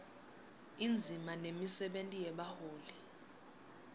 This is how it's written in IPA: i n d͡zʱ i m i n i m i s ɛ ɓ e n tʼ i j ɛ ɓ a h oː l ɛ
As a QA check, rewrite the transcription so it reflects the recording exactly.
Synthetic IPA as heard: i n d͡zʱ i m a n e m i s ɛ ɓ e n tʼ i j ɛ ɓ a h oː l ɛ